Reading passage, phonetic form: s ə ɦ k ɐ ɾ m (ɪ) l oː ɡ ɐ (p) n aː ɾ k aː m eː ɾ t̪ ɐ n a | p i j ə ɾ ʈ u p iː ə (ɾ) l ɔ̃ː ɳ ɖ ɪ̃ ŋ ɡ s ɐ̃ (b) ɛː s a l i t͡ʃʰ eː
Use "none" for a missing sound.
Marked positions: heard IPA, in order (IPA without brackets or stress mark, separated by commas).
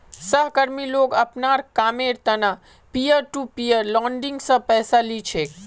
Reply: i, p, ɾ, p